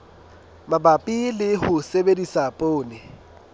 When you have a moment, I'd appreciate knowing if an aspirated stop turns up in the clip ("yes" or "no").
no